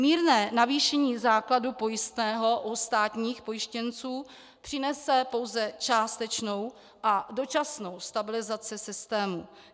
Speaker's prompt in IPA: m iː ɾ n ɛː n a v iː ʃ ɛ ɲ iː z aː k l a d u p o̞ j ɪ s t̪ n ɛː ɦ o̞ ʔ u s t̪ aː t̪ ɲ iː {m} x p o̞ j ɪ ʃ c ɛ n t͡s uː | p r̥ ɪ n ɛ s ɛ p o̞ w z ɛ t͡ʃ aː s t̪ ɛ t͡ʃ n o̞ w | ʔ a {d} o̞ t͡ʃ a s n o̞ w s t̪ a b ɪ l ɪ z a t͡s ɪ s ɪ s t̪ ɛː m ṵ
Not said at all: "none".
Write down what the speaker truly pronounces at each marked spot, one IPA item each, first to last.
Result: none, d

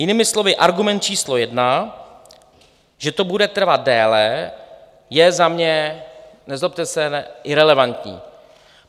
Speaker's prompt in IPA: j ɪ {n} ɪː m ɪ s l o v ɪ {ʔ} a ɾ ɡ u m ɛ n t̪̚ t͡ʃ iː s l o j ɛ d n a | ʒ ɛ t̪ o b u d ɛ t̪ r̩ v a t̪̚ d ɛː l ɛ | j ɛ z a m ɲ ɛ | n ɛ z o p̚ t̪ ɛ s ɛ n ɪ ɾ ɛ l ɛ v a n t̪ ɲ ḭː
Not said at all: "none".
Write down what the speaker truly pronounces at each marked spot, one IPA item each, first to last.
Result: n, ʔ

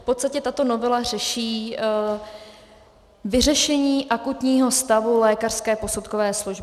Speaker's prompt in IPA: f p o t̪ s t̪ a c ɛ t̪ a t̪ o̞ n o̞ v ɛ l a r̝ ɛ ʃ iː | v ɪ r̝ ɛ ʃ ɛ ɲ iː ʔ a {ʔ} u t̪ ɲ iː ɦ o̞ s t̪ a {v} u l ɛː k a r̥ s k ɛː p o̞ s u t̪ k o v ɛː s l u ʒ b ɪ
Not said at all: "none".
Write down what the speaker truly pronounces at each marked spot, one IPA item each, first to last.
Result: k, v

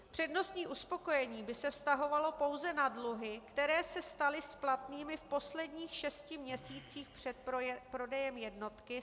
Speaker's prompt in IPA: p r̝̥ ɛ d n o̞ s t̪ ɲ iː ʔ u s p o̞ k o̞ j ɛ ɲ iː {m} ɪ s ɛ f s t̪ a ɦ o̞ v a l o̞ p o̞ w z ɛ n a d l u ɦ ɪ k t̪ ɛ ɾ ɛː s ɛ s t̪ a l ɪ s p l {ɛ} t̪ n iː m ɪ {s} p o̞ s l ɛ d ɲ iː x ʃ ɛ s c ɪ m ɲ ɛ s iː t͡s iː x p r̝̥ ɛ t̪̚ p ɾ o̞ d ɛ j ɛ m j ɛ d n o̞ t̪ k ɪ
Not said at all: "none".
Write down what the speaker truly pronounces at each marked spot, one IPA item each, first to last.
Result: b, a, f

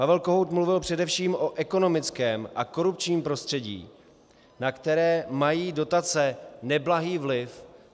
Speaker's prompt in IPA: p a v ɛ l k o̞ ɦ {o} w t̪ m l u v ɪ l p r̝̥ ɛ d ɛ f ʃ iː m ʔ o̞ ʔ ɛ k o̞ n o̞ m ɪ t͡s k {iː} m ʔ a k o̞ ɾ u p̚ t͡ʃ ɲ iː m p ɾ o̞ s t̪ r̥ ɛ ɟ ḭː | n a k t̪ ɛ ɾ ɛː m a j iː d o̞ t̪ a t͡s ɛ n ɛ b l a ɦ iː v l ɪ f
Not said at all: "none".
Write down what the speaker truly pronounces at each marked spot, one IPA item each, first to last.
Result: o, ɛː

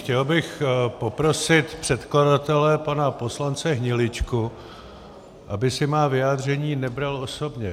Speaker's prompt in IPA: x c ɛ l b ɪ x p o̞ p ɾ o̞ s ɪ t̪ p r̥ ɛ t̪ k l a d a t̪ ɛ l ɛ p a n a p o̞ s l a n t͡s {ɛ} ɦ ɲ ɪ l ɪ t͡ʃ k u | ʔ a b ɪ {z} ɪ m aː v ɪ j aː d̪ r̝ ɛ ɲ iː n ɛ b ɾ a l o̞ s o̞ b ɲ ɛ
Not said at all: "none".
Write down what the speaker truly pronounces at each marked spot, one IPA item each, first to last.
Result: ɛ, s

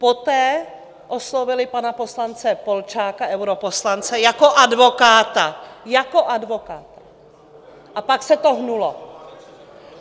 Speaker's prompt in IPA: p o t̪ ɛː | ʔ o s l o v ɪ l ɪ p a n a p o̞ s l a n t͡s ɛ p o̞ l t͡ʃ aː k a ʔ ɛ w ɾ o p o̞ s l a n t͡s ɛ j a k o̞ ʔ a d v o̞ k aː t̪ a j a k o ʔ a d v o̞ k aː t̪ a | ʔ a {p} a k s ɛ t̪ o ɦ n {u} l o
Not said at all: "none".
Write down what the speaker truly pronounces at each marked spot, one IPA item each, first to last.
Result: p, u

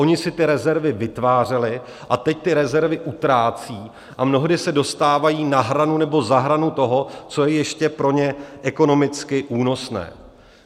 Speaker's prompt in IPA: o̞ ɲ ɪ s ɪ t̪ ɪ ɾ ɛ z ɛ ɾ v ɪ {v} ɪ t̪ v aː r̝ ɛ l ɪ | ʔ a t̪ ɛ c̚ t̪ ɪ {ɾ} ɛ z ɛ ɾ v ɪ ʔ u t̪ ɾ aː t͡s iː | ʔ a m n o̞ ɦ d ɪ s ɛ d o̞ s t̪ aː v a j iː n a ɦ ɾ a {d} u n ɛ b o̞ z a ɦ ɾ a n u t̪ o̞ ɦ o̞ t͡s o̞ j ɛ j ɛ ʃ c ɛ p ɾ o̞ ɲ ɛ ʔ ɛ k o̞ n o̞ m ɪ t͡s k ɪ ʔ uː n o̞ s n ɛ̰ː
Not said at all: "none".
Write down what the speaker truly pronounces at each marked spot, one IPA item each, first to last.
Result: v, ɾ, n

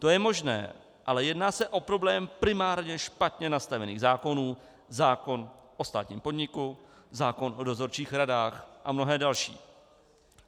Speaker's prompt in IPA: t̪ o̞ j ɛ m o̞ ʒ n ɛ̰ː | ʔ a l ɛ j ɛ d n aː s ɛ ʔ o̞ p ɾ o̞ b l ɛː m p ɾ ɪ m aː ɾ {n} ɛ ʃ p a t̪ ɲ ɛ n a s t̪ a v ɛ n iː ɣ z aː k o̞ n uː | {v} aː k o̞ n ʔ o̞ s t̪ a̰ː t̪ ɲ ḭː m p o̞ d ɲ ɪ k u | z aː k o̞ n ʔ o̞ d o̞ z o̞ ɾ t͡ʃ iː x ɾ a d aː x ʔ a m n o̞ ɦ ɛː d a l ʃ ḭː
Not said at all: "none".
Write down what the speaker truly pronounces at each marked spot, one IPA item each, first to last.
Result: ɲ, z

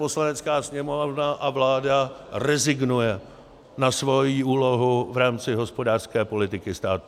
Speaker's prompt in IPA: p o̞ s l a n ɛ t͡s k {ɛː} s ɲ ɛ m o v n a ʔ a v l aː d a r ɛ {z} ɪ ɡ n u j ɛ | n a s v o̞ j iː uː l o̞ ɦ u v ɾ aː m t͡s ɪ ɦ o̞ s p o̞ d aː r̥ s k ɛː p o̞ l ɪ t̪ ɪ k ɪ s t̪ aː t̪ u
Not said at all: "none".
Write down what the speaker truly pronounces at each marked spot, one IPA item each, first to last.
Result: aː, z

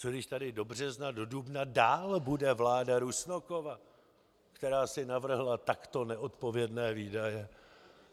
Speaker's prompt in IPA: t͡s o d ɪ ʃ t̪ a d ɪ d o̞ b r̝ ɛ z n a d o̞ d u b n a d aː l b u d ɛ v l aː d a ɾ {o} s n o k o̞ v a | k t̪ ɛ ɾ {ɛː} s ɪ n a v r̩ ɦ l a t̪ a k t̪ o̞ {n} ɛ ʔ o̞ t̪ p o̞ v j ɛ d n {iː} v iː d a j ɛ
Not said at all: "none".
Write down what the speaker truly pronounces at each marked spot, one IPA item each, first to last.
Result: u, aː, n, ɛː

